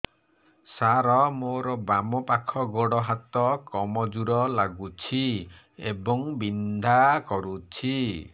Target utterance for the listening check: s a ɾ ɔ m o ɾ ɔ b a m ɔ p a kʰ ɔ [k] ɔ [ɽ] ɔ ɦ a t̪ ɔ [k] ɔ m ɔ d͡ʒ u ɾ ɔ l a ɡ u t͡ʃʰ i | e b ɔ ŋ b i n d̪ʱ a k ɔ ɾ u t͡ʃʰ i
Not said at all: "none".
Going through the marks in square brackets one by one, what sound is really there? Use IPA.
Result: ɡ, ɽ, k

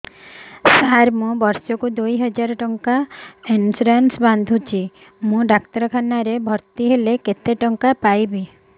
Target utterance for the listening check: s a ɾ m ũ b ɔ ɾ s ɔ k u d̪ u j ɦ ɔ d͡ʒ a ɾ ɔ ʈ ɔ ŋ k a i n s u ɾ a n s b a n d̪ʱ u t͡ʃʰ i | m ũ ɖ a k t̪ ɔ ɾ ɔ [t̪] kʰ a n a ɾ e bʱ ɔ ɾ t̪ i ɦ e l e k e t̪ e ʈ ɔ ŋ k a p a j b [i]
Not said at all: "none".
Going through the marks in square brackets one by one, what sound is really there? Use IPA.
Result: none, i

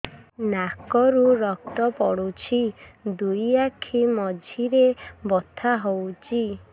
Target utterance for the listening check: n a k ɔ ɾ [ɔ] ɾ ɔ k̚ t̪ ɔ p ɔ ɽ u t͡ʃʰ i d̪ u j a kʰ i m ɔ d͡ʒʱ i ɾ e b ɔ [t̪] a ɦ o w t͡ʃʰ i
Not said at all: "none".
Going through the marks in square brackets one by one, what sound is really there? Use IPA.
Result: u, t̪ʰ

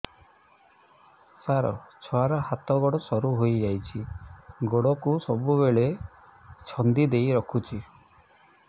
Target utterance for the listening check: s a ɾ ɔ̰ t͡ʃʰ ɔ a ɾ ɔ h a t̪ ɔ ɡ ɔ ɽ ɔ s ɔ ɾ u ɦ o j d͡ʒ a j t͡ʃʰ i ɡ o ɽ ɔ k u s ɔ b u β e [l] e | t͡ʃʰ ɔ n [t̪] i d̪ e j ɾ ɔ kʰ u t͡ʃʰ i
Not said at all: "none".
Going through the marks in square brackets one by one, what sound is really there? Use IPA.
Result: ɭ, d̪

